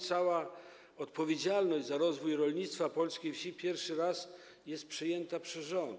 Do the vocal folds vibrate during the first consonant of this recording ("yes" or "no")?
no